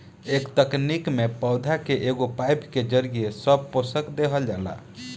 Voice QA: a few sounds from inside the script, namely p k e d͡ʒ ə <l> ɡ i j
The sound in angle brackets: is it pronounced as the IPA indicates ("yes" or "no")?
no